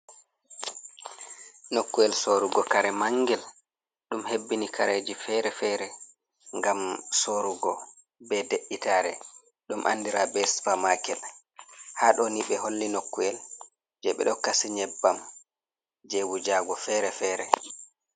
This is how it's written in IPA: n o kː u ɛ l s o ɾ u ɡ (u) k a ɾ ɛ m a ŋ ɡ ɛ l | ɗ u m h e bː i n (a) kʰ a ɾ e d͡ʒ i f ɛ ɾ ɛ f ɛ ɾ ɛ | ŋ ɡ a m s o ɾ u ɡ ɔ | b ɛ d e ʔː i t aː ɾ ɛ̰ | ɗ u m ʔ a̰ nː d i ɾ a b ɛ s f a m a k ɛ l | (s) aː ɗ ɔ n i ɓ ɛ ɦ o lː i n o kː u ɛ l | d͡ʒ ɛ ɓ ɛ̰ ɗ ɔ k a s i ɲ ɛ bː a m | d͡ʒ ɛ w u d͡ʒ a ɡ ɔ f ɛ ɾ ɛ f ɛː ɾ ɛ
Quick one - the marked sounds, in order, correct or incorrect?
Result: incorrect, incorrect, incorrect

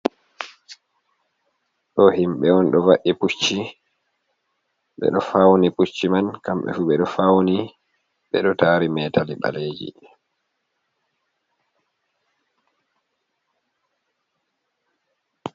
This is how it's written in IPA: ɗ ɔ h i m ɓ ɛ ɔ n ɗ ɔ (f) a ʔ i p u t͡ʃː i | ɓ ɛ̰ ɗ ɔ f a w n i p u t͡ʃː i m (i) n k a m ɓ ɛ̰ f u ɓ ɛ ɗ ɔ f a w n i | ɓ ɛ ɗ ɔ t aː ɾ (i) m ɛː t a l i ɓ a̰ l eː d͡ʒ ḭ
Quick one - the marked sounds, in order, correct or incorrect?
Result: incorrect, incorrect, correct

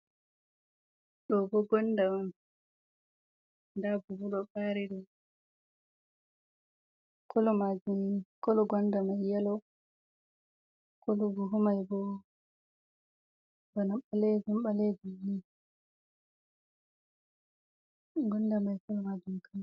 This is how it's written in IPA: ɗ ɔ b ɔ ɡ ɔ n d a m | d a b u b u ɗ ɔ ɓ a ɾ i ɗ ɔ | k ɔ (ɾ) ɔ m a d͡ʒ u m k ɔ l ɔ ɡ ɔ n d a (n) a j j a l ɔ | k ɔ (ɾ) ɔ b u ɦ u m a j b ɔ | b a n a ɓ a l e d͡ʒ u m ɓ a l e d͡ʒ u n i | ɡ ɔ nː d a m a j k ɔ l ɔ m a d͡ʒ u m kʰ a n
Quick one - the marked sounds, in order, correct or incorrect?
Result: incorrect, incorrect, incorrect

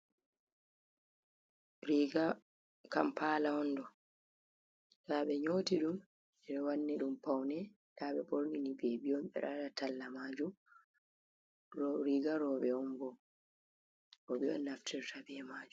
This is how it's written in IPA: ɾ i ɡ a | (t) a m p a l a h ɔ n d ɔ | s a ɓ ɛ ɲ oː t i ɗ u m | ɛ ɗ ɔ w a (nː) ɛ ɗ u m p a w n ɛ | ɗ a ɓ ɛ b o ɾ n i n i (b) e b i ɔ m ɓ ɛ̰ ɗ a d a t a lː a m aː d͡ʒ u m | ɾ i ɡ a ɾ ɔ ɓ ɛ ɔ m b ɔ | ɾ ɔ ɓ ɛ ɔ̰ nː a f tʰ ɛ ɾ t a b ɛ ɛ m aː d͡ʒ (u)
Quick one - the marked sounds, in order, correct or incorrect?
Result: incorrect, correct, correct, correct

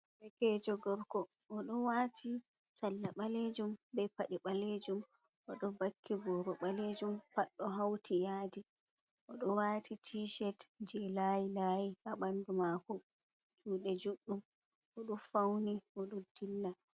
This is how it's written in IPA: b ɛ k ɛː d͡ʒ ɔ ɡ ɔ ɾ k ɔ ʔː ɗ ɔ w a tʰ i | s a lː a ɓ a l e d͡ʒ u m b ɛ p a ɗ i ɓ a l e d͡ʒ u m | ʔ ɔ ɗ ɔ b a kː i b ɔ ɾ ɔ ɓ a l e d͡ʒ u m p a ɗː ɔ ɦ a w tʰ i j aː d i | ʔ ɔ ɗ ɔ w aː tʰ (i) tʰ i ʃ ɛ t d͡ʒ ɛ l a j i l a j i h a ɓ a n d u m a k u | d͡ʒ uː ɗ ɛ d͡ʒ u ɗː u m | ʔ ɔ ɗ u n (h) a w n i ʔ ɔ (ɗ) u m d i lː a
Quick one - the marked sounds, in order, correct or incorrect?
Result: correct, incorrect, correct

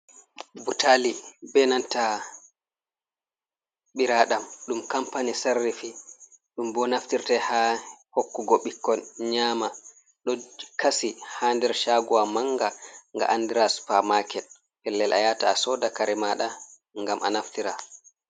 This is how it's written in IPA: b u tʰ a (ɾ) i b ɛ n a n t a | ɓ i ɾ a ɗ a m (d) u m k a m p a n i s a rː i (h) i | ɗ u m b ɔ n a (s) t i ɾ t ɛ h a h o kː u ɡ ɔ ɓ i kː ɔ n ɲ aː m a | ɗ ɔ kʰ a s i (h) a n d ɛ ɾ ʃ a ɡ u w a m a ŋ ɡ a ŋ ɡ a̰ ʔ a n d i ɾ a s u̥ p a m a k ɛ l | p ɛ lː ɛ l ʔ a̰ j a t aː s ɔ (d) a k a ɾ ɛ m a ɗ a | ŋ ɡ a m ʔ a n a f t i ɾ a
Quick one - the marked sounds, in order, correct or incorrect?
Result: incorrect, incorrect, incorrect, incorrect, correct, correct

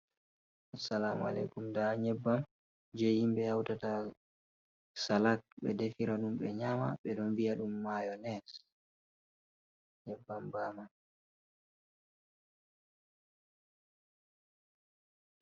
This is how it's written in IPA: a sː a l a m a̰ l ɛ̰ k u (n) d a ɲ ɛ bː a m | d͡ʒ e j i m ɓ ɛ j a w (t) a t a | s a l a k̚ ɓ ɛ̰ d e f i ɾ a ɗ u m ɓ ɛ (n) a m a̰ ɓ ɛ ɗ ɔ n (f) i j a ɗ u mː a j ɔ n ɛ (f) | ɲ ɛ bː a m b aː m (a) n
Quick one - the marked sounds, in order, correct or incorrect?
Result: incorrect, correct, incorrect, incorrect, incorrect, correct

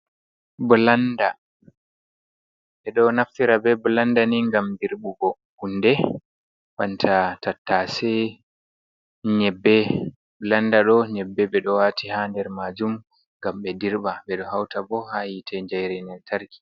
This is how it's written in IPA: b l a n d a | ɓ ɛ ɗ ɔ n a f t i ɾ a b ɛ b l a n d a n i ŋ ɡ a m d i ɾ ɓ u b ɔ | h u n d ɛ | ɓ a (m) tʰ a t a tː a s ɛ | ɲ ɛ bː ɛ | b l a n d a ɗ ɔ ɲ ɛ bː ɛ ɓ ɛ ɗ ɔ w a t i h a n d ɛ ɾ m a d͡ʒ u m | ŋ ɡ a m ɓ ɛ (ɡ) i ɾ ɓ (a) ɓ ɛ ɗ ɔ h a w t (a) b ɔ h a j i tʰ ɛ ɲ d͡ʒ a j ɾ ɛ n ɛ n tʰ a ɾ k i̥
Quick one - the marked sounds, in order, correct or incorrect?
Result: incorrect, incorrect, correct, correct

